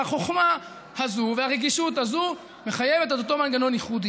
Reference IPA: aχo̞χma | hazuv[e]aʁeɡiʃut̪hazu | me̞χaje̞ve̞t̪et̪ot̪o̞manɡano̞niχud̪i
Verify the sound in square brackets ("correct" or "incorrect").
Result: correct